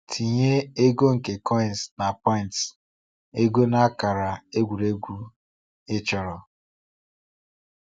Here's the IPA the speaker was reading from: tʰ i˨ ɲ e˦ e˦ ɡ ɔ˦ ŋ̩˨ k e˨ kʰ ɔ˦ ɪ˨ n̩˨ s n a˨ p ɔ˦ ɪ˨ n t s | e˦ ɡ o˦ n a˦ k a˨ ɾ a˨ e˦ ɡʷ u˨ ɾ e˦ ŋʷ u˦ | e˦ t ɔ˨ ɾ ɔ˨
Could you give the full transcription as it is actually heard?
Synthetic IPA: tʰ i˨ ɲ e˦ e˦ ɡ o˦ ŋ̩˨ k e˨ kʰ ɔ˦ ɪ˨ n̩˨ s n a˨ p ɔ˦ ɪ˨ n t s | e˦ ɡ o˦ n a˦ k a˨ ɾ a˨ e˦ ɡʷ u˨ ɾ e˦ ɡʷ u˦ | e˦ t͡ʃ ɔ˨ ɾ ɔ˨